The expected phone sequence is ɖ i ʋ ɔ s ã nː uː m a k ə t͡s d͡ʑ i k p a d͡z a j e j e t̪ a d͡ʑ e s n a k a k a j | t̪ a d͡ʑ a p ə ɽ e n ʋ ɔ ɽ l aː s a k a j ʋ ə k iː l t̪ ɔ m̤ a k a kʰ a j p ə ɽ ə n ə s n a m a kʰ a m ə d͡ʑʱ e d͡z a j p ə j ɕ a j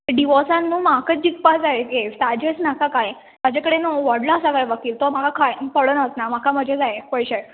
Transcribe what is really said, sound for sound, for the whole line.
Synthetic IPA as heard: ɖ i ʋ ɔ s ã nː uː m a k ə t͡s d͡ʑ i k p a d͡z a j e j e t̪ a d͡ʑ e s n a k a k a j | t̪ a d͡ʑ a k ə ɽ e n ʋ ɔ ɽ l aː s a k a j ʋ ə k iː l t̪ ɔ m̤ a k a kʰ a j p ə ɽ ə n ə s n a m a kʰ a m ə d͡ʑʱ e d͡z a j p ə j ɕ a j